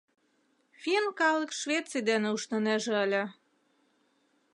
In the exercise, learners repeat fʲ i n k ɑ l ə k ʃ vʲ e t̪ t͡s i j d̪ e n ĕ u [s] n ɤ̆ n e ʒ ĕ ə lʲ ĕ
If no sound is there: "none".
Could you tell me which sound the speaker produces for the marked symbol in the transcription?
ʃ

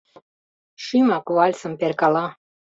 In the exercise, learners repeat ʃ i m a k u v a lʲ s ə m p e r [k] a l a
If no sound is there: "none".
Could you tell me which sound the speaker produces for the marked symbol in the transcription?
k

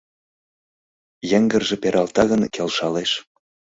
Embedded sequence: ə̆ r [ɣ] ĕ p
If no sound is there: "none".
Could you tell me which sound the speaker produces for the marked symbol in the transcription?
ʒ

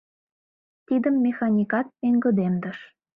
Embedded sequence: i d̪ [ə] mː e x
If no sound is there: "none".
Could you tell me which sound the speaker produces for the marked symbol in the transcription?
ə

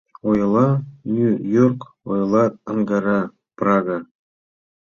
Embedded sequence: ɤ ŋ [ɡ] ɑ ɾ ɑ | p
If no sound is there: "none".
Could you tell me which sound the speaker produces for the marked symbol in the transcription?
ɡ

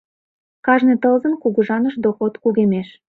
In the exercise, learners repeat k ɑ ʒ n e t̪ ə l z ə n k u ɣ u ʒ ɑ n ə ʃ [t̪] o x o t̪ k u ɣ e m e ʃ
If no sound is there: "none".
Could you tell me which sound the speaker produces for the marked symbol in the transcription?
d̪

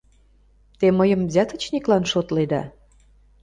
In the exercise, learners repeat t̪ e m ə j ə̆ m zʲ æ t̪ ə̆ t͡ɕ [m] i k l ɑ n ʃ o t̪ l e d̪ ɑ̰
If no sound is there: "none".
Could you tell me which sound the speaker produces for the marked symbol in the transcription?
n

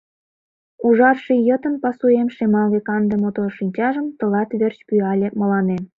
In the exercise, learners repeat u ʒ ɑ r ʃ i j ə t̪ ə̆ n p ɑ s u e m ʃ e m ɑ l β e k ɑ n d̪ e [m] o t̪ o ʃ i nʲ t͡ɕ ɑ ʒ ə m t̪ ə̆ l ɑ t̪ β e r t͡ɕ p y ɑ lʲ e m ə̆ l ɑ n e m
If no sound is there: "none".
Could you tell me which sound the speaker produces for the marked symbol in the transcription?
m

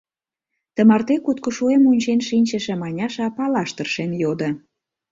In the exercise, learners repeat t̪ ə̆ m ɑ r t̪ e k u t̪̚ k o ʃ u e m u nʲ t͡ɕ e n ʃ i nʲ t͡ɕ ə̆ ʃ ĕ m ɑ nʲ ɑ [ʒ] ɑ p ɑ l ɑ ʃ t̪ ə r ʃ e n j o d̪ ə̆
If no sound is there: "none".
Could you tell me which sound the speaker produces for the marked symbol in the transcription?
ʃ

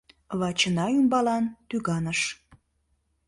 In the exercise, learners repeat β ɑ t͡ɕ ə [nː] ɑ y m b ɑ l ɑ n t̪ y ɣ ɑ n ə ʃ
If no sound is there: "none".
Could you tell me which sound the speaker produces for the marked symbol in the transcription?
n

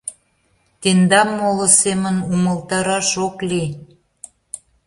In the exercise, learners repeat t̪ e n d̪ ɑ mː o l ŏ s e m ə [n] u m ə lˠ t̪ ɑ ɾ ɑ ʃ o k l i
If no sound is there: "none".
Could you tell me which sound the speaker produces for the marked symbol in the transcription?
n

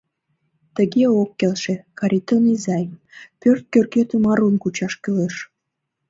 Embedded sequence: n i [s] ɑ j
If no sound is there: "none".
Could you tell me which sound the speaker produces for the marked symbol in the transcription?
z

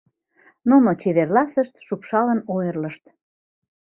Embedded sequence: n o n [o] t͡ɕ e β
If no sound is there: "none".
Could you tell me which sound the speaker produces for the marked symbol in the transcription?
o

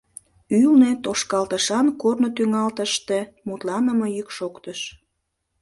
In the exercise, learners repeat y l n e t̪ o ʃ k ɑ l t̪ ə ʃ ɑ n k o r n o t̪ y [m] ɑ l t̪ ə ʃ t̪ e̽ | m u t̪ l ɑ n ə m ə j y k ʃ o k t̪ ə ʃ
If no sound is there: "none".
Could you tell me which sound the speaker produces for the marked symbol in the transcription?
ŋ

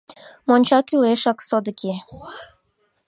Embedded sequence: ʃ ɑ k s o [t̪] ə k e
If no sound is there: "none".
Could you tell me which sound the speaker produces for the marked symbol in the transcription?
d̪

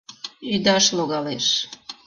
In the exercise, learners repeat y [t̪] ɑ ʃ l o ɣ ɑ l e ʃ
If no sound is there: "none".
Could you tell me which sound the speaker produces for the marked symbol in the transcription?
d̪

